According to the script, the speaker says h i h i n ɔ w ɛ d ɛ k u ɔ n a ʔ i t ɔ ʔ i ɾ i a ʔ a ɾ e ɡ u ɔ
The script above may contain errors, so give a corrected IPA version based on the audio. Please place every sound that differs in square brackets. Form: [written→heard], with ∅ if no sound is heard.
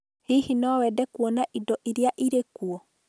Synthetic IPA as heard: h i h i n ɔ w ɛ d ɛ k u ɔ n a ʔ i [t→d] ɔ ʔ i ɾ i a ʔ [a→i] ɾ e [ɡ→k] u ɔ